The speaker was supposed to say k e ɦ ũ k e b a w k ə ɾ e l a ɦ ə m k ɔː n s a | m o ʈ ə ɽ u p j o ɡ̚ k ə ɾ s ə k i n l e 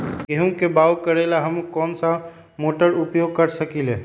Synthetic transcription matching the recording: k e ɦ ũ k e b a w k ə ɾ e l a ɦ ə m k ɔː n s a | m o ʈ ə ɾ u p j o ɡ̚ k ə ɾ s ə k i l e